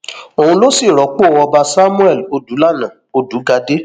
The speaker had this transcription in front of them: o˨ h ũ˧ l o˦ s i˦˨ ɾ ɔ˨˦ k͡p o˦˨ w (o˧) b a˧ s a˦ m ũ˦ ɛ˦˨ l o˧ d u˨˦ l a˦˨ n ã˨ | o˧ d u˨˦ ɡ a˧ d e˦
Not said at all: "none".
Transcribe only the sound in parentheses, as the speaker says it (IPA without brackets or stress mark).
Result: ɔ˧